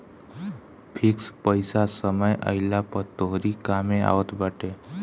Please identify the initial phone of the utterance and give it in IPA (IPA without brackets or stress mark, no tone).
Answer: pʰ